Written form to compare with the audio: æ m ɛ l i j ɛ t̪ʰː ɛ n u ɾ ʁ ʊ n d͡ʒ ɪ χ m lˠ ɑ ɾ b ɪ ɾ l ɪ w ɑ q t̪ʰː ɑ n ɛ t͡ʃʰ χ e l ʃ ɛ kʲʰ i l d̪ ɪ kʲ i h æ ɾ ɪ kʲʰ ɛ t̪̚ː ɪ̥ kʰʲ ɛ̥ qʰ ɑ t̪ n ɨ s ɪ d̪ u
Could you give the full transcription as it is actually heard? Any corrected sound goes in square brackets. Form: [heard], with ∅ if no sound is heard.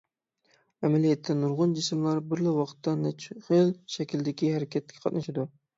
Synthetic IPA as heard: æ m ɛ l i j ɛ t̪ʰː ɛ n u ɾ ʁ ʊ n d͡ʒ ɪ [s] m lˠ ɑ ɾ b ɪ ɾ l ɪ w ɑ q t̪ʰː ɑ n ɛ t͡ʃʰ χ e l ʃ ɛ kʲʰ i l d̪ ɪ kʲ i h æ ɾ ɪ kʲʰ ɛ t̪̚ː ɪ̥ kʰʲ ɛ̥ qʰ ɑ t̪ n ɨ [ʃ] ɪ d̪ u